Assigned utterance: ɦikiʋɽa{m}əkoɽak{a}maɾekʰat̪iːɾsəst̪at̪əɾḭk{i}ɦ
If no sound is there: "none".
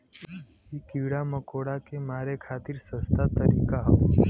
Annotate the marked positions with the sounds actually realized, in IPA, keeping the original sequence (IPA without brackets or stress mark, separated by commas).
m, e, a